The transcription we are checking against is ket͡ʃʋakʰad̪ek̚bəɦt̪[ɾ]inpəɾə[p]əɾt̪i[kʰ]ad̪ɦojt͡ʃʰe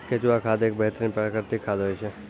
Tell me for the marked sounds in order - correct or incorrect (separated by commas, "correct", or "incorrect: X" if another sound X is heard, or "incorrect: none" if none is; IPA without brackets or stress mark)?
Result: correct, incorrect: k, correct